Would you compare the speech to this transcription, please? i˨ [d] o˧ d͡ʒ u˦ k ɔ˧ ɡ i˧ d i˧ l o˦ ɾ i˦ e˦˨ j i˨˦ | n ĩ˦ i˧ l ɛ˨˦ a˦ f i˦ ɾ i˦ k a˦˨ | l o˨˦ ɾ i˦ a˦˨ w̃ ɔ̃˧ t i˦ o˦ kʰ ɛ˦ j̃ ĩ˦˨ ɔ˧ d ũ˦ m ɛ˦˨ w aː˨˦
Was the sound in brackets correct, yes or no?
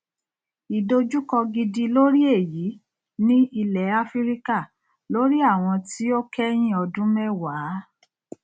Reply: yes